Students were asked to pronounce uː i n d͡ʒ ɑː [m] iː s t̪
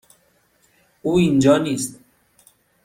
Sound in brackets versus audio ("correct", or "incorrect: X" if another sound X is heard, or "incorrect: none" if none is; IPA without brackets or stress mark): incorrect: n